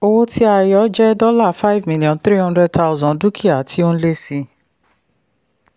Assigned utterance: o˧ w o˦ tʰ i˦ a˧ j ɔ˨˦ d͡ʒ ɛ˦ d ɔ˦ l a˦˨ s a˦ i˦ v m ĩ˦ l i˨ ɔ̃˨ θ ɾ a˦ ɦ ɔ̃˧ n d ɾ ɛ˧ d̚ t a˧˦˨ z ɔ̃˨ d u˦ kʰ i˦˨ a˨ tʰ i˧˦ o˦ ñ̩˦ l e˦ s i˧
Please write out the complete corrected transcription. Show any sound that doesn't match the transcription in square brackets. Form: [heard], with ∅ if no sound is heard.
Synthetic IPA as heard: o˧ w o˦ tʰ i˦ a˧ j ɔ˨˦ d͡ʒ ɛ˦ d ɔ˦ l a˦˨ [f] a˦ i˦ v m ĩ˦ l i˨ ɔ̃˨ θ ɾ [i˦] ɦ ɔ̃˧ n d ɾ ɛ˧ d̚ t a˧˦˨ z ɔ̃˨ d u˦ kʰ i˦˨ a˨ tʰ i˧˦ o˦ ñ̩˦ l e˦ s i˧